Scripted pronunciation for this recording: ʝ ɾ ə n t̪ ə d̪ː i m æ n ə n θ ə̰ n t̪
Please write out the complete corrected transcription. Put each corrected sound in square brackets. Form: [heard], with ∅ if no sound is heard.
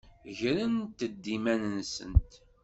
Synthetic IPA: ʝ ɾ ə n t̪ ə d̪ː i m æ n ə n [s] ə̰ n t̪

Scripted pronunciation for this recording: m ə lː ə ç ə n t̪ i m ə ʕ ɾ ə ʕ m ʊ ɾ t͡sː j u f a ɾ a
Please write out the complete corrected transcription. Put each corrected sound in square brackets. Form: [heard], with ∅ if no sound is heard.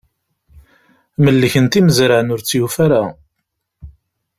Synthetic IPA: m ə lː ə ç ə n t̪ i m ə [z] ɾ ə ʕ [n] ʊ ɾ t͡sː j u f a ɾ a

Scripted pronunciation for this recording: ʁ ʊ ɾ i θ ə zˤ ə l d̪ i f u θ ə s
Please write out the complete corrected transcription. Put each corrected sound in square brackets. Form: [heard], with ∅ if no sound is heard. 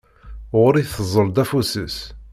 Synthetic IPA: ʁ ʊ ɾ i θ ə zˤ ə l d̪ [æ] f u [s] ə s

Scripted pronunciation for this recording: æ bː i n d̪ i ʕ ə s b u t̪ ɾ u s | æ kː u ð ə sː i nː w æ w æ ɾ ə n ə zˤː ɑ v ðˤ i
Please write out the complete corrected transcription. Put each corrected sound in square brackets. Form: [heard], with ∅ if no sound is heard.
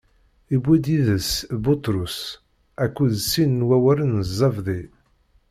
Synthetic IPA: [i] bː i [∅] d̪ i [ð] ə s b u t̪ ɾ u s | æ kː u ð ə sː i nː w æ w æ ɾ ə n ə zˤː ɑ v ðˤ i

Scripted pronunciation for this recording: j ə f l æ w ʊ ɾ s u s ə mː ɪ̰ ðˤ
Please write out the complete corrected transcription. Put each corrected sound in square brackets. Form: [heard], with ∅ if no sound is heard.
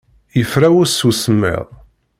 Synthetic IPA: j ə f [ɾ] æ w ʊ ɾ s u s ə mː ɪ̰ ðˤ

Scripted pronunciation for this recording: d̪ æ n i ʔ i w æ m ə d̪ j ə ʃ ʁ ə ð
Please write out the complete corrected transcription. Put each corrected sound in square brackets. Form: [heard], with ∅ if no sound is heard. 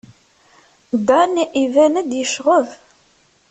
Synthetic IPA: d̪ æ n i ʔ i [v] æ [n] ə d̪ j ə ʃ ʁ ə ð

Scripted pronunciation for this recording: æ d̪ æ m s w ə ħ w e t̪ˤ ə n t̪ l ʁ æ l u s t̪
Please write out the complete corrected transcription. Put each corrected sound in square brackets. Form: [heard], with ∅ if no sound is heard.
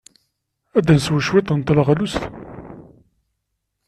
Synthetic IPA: æ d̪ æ [n] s w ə [ʃ] w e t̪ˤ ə n t̪ l ʁ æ l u s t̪

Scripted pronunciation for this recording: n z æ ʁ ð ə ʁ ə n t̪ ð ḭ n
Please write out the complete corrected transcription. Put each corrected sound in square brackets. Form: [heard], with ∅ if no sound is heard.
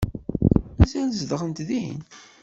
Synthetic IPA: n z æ [z] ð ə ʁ ə n t̪ ð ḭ n

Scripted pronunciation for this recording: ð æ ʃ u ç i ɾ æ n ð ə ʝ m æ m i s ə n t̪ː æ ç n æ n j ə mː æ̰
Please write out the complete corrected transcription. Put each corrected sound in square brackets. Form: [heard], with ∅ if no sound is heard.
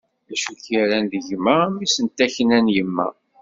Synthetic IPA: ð æ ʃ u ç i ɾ æ n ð ə ʝ m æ m i s ə n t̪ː æ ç n æ n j ə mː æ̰

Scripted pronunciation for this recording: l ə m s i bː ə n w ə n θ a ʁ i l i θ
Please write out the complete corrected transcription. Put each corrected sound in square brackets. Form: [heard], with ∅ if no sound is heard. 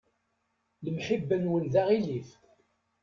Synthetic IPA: l ə m [ħ] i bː ə n w ə n [ð] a ʁ i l i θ

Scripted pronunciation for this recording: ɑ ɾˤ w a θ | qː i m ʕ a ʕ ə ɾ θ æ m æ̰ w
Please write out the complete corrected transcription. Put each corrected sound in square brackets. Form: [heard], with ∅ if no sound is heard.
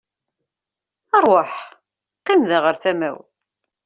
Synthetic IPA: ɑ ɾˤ w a [ħ] | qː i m [ð] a [ʁ] ə ɾ θ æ m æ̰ w

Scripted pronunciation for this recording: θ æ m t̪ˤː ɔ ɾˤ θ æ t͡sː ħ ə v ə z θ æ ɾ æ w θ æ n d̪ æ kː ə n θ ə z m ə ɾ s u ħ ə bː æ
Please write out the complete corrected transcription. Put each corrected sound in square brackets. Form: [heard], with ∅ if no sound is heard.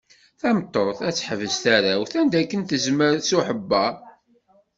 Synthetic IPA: θ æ m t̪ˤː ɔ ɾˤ θ æ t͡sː ħ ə v ə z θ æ ɾ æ w θ æ n d̪ æ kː ə n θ ə z m ə ɾ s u ħ ə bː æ

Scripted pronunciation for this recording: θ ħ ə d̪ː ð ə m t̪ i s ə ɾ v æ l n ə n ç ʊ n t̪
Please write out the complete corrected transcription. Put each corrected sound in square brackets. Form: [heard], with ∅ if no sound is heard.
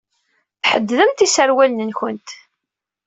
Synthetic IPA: θ ħ ə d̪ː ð ə m t̪ i s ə ɾ [w] æ l n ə n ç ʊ n t̪

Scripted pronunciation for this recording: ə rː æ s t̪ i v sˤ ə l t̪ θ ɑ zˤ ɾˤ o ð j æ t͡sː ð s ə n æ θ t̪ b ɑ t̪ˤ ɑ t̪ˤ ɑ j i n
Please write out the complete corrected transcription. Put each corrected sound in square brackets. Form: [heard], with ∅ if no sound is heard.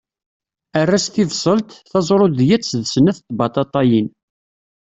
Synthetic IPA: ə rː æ s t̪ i v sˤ ə l t̪ θ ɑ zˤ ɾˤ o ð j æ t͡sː ð s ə n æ θ t̪ b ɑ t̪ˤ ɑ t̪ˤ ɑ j i n

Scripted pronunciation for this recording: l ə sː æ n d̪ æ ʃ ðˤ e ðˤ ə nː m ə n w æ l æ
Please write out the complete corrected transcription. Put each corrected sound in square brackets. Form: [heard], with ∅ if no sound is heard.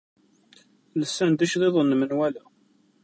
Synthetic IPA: l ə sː æ n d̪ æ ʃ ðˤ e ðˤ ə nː m ə n w æ l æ

